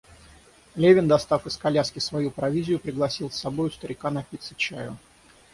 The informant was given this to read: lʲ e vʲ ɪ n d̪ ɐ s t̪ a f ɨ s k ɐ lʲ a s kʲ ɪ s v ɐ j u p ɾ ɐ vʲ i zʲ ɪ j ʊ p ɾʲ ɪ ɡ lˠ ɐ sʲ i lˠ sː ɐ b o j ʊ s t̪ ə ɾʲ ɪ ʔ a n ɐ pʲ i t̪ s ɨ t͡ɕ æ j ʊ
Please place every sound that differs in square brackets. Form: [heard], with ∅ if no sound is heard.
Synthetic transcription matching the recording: lʲ e vʲ ɪ n d̪ ɐ s t̪ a f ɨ s k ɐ lʲ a s kʲ ɪ s v ɐ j u p ɾ ɐ vʲ i zʲ ɪ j ʊ p ɾʲ ɪ ɡ lˠ ɐ sʲ i lˠ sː ɐ b o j ʊ s t̪ ə ɾʲ ɪ [k] a n ɐ pʲ i t̪ s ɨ t͡ɕ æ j ʊ